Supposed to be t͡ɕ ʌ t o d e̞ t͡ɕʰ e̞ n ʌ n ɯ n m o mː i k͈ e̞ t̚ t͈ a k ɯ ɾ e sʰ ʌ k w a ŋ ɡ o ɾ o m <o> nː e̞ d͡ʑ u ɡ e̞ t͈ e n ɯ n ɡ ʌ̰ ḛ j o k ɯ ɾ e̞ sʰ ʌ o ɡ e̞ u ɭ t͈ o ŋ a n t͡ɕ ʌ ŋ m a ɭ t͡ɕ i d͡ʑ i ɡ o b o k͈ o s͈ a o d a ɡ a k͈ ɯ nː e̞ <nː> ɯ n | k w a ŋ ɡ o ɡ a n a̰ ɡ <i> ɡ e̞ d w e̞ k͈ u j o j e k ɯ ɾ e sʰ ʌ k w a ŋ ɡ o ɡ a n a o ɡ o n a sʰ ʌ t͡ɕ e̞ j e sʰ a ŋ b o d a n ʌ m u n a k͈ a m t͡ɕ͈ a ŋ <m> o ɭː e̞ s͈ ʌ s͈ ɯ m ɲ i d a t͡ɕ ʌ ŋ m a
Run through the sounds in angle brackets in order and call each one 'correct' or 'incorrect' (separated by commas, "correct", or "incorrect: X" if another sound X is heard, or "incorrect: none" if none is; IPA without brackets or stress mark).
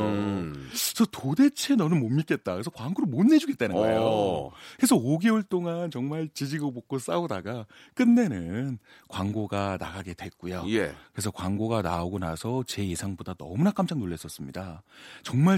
correct, incorrect: n, incorrect: a, incorrect: n